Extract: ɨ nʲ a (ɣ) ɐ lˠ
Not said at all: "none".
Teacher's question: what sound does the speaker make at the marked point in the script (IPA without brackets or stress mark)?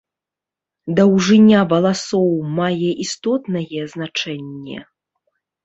v